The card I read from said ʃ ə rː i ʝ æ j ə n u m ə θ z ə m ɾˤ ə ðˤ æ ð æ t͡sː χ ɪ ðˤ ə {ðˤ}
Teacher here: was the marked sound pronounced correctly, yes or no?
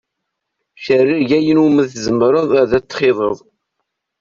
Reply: yes